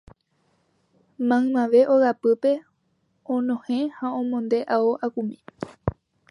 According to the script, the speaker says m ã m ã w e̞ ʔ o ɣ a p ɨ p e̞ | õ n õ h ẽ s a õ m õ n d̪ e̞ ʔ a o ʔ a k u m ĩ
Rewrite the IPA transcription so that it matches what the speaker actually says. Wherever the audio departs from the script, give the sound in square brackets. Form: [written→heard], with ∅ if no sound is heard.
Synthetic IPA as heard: m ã m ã [w→ʋ] e̞ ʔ o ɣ a p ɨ p e̞ | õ n õ h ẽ [s→h] a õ m õ n d̪ e̞ ʔ a o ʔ a k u m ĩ